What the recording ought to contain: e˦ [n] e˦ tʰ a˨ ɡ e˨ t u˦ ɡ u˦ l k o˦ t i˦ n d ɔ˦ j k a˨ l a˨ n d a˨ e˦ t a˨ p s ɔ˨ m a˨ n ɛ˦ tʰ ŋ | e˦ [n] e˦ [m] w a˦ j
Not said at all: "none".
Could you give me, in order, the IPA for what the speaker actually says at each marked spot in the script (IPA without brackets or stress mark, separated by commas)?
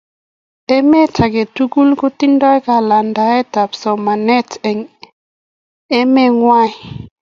m, m, ŋ